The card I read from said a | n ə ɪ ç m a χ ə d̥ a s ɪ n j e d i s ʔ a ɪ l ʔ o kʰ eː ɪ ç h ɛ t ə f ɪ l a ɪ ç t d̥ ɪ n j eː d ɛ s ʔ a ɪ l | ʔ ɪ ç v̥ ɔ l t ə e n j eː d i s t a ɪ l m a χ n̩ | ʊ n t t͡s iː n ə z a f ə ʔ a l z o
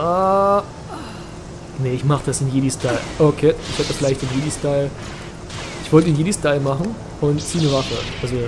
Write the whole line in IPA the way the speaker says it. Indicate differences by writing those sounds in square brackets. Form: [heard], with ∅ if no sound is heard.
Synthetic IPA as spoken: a | n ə ɪ ç m a χ ə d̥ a s ɪ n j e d i s [t] a ɪ l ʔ o kʰ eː ɪ ç h ɛ t ə f ɪ l a ɪ ç t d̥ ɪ n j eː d [i] s [t] a ɪ l | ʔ ɪ ç v̥ ɔ l t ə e n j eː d i s t a ɪ l m a χ n̩ | ʊ n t t͡s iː n ə [v] a f ə ʔ a l z o